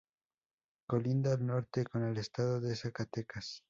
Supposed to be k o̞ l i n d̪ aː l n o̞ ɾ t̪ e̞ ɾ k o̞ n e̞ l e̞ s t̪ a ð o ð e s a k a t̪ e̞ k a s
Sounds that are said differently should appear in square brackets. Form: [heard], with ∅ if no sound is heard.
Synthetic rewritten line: k o̞ l i n d̪ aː l n o̞ ɾ t̪ e̞ [∅] k o̞ n e̞ l e̞ s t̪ a ð o ð e s a k a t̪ e̞ k a s

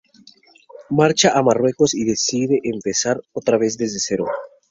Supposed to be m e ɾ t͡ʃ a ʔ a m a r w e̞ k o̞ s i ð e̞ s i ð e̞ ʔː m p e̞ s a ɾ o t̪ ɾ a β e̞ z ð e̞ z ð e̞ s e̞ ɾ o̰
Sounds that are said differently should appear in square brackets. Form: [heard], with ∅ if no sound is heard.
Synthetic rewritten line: m [a] ɾ t͡ʃ a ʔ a m a r w e̞ k o̞ s i ð e̞ s i ð e̞ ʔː m p e̞ s a ɾ o t̪ ɾ a β e̞ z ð e̞ z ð e̞ s e̞ ɾ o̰

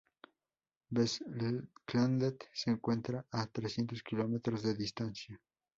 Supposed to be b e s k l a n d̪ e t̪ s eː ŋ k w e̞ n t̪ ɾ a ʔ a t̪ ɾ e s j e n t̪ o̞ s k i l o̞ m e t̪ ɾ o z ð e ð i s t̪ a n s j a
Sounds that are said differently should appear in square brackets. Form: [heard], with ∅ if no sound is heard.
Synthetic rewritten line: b e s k l a n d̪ e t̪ s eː ŋ k w e̞ n t̪ ɾ a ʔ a t̪ ɾ e s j e n t̪ o̞ s k i l o̞ m e t̪ ɾ o z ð e ð i s t̪ a n s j a

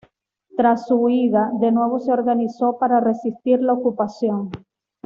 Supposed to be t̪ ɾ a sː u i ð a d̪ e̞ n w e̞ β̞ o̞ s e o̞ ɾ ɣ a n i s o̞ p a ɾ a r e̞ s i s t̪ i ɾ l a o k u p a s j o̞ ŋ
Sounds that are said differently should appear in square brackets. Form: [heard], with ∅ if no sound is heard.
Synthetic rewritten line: t̪ ɾ a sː u i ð a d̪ e̞ n w e̞ β̞ o̞ s e o̞ ɾ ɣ a n i s o̞ p a ɾ a r e̞ s i s t̪ i ɾ l a o k u p a s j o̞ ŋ

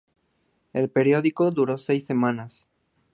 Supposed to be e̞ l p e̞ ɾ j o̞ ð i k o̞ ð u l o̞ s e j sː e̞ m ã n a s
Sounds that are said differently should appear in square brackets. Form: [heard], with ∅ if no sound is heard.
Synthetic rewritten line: e̞ l p e̞ ɾ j o̞ ð i k o̞ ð u [ɾ] o̞ s e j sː e̞ m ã n a s

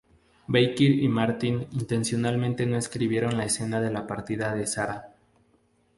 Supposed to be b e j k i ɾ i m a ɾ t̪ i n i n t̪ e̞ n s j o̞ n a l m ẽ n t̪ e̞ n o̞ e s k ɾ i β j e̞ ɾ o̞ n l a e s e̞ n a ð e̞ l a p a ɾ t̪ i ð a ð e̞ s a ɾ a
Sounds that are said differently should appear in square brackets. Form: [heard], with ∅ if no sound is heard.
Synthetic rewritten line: b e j k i ɾ i m a ɾ t̪ i n i n t̪ e̞ n s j o̞ n a l m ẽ n t̪ e̞ n o̞ e s k ɾ i β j e̞ ɾ o̞ n l a e s e̞ n a ð e̞ l a p a ɾ t̪ i ð a ð e̞ s a ɾ a

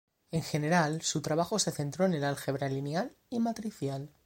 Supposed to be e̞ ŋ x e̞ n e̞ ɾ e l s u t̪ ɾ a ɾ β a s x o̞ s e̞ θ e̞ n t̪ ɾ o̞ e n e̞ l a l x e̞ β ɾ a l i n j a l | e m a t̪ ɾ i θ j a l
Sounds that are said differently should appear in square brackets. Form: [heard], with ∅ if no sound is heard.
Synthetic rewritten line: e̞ ŋ x e̞ n e̞ ɾ [a] l s u t̪ ɾ a [∅] β a [∅] x o̞ s e̞ θ e̞ n t̪ ɾ o̞ e n e̞ l a l x e̞ β ɾ a l i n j a l | [i] m a t̪ ɾ i θ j a l

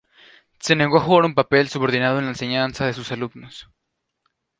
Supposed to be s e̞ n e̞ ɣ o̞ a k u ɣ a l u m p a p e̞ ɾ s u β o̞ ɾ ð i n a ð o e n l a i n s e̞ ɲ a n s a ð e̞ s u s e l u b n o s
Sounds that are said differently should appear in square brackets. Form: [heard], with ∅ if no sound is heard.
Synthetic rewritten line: s e̞ n e̞ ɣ o̞ a [x] u ɣ a [ɾ] u m p a p e̞ [l] s u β o̞ ɾ ð i n a ð o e n l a [e] n s e̞ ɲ a n s a ð e̞ s u s [a] l u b n o s

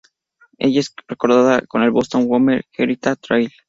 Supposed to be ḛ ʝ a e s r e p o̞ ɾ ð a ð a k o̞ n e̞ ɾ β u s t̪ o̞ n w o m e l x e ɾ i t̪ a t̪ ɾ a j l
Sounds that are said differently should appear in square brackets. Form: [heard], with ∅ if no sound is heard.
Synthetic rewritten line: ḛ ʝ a e s r e [k] o̞ ɾ ð a ð a k o̞ n e̞ [l] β [o] s t̪ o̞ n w o m e [ɾ] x e ɾ i t̪ a t̪ ɾ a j l

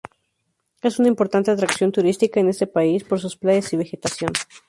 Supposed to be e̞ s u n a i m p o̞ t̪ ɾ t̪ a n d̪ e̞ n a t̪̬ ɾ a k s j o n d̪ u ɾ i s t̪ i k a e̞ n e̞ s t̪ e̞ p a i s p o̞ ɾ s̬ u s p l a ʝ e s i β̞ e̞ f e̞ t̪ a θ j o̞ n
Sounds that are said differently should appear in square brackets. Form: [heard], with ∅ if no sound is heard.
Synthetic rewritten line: e̞ s u n a i m p o̞ [∅] ɾ t̪ a n [t̪] e̞ [∅] a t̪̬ ɾ a k s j o n [t̪] u ɾ i s t̪ i k a e̞ n e̞ s t̪ e̞ p a i s p o̞ ɾ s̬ u s p l a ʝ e s i β̞ e̞ [x] e̞ t̪ a [s] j o̞ n

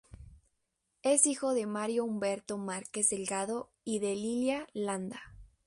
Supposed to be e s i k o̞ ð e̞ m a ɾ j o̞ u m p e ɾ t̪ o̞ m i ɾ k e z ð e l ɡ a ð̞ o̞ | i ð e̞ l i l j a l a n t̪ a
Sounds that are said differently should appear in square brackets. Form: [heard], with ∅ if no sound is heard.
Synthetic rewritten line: e s i [x] o̞ ð e̞ m a ɾ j o̞ u m [b] e ɾ t̪ o̞ m [a] ɾ k e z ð e l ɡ a ð̞ o̞ | i ð e̞ l i l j a l a n [d̪] a

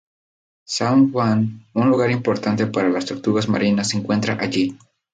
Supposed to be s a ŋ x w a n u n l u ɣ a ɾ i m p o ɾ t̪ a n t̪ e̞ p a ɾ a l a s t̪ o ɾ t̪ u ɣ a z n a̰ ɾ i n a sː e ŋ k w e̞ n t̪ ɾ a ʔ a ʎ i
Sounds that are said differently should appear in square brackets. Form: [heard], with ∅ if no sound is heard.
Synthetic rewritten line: s a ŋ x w a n u n l u ɣ a ɾ i m p o ɾ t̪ a n t̪ e̞ p a ɾ a l a s t̪ o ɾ t̪ u ɣ a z [m] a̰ ɾ i n a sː e ŋ k w e̞ n t̪ ɾ a ʔ a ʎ i

